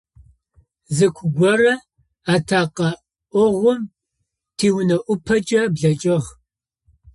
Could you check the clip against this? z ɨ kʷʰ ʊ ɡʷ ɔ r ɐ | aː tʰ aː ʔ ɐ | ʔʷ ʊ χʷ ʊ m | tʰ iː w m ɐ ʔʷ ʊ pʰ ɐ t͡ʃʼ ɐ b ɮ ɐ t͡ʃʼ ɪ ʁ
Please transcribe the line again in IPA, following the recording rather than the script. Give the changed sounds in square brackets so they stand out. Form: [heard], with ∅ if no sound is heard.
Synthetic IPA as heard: z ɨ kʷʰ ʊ ɡʷ ɔ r ɐ | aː tʰ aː [q] ɐ | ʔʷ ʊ [ʁʷ] ʊ m | tʰ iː w [n] ɐ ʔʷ ʊ pʰ ɐ t͡ʃʼ ɐ b ɮ ɐ t͡ʃʼ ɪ ʁ